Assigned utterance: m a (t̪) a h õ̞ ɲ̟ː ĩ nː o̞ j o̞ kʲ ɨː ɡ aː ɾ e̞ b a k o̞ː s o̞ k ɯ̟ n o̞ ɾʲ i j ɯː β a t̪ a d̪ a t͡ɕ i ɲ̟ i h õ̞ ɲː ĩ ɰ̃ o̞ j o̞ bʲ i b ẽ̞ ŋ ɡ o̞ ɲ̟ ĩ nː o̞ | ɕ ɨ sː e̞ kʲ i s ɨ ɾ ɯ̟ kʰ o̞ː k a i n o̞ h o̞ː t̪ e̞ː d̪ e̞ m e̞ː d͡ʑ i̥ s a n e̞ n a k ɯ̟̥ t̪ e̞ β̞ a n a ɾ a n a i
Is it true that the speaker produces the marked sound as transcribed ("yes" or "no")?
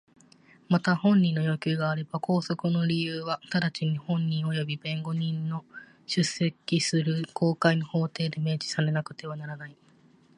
yes